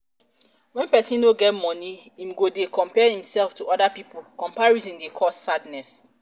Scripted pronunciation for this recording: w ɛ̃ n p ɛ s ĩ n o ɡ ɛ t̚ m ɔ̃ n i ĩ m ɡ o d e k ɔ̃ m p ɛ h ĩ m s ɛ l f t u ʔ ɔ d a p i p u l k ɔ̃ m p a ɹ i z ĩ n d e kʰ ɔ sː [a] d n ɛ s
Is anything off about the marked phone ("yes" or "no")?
no